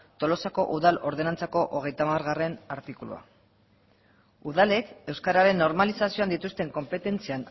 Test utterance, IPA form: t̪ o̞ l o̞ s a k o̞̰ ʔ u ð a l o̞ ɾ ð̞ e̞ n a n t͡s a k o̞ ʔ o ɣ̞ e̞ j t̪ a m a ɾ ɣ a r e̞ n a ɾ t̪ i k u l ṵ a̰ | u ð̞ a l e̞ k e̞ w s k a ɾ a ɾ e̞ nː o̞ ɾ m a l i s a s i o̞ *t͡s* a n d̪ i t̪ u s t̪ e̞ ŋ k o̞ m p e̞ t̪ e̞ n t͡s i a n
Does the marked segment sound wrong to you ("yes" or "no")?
yes